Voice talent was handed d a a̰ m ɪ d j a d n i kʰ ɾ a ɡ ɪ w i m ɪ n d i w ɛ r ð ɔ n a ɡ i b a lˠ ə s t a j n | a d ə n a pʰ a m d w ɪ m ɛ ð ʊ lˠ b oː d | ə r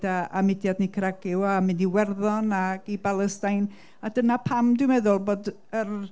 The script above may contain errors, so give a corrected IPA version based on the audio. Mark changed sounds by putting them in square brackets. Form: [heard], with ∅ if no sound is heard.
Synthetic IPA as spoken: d a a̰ m ɪ d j a d n i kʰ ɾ a ɡ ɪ w [a] m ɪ n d i w ɛ r ð ɔ n a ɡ i b a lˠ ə s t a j n | a d ə n a pʰ a m d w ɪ m ɛ ð ʊ lˠ b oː d | ə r